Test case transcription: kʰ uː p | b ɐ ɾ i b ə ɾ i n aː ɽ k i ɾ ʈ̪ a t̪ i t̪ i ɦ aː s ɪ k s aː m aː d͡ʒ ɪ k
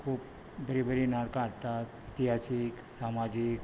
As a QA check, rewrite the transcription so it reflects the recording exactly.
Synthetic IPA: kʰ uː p | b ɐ ɾ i b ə ɾ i n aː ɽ k a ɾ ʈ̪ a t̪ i t̪ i ɦ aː s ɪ k s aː m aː d͡ʒ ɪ k